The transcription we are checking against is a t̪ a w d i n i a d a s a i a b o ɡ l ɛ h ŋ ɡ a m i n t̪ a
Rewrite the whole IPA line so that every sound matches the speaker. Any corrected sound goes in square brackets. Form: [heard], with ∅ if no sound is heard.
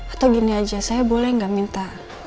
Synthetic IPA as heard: a t̪ a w [ɡ] i n i a [d͡ʒ] a s a [j] a b o [∅] l ɛ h ŋ ɡ a m i n t̪ a